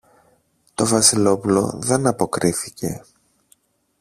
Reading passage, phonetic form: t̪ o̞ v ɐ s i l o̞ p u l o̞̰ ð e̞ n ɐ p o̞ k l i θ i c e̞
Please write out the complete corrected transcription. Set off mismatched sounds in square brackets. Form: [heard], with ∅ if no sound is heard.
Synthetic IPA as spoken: t̪ o̞ v ɐ s i l o̞ p u l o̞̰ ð e̞ n ɐ p o̞ k [ɾ] i θ i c e̞